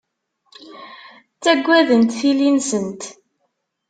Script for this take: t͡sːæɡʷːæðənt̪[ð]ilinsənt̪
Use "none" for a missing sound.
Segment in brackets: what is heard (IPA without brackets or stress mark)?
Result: θ